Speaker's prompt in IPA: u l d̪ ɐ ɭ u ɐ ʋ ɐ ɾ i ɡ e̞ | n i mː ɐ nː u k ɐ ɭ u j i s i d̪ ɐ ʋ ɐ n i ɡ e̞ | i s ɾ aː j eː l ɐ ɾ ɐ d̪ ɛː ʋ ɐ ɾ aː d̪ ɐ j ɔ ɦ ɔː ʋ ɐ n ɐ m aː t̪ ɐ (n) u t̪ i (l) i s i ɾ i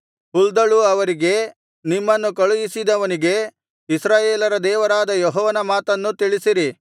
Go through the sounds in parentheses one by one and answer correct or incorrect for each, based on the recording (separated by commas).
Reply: incorrect, incorrect